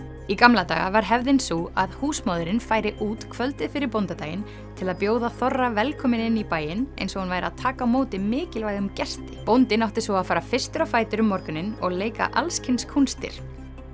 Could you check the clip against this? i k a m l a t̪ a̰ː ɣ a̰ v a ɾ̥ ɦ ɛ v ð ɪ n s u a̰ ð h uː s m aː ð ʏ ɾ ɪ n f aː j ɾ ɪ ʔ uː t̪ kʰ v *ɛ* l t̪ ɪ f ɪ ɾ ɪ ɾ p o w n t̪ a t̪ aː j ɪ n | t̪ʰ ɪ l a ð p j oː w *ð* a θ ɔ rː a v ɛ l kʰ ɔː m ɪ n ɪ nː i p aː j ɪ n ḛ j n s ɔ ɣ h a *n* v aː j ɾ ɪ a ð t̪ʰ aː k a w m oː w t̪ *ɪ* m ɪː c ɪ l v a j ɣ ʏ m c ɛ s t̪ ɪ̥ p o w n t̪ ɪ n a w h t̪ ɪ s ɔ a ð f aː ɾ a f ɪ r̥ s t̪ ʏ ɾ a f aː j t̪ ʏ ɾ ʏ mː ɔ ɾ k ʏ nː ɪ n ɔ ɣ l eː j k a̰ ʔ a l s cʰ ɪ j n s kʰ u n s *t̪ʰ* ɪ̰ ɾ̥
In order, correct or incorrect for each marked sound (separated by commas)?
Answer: incorrect, correct, correct, correct, incorrect